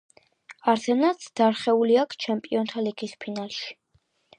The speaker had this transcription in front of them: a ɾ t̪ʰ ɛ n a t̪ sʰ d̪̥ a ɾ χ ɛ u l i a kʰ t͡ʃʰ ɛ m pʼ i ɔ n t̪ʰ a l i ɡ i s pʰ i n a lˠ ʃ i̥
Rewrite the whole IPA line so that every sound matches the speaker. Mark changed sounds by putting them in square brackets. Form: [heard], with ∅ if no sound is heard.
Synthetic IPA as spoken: a ɾ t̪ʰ ɛ n a t̪ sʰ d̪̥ a ɾ χ ɛ u l i a kʰ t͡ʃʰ ɛ m pʼ i ɔ n t̪ʰ a l i ɡ i s pʰ i n a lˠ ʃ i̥